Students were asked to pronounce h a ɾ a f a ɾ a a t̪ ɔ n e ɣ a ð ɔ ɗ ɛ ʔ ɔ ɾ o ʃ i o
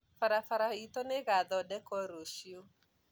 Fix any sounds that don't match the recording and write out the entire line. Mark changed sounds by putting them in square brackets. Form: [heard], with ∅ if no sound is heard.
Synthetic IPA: [f] a ɾ a f a ɾ a [i] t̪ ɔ n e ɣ a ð ɔ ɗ ɛ [k] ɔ ɾ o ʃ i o